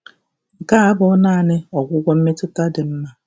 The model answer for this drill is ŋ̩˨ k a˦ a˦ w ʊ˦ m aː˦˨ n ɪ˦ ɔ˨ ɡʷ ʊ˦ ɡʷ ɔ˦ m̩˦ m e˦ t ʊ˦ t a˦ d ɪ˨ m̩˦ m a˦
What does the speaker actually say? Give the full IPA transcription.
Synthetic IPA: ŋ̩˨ k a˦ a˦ b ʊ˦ n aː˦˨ n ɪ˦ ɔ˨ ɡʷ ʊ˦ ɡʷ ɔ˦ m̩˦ m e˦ t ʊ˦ t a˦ d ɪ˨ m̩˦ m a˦